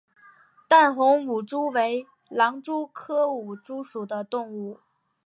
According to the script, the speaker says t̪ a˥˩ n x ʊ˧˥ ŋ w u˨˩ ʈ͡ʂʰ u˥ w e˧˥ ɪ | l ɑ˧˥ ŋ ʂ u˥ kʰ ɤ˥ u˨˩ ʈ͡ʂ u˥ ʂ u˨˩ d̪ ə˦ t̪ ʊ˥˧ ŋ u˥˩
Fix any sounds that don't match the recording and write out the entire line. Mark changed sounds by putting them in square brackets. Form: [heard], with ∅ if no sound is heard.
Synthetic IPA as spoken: t̪ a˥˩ n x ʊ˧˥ ŋ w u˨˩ [ʈ͡ʂ] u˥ w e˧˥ ɪ | l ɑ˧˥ ŋ [ʈ͡ʂ] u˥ kʰ ɤ˥ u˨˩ ʈ͡ʂ u˥ ʂ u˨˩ d̪ ə˦ t̪ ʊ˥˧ ŋ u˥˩